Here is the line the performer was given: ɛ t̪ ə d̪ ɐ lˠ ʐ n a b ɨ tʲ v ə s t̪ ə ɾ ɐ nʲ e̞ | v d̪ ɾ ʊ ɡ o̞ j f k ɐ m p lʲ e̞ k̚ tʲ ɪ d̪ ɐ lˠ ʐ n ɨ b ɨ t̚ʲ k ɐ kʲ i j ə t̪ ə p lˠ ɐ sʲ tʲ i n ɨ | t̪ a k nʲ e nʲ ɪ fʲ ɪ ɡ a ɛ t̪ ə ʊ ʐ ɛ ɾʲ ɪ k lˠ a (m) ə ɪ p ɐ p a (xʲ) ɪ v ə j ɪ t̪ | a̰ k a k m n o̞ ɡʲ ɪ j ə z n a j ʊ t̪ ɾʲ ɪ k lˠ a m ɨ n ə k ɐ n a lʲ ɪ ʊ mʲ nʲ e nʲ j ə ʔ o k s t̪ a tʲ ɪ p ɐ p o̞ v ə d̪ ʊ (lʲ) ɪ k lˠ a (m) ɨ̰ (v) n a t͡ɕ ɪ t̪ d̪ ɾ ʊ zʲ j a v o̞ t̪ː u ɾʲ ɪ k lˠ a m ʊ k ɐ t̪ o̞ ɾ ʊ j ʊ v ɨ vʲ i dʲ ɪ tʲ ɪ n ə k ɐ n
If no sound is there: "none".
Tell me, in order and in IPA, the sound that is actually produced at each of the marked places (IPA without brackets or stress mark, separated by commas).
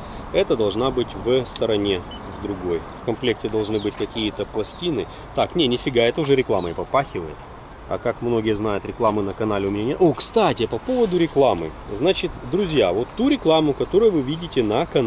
m, xʲ, ɾʲ, m, z